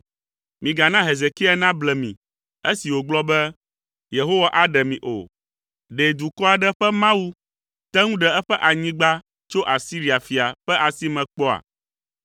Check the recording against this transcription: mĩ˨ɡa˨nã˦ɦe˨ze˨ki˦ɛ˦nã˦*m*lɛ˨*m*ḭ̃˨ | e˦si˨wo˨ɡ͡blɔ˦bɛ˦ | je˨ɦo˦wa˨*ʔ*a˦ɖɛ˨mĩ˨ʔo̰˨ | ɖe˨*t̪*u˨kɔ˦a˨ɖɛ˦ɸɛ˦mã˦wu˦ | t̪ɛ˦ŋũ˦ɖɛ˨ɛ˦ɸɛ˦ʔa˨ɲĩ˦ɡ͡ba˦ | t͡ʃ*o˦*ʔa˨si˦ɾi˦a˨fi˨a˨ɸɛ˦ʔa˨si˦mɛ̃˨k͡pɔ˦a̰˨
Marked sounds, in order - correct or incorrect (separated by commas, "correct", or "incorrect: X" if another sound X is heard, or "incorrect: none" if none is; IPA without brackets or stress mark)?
incorrect: b, correct, correct, incorrect: d̪, correct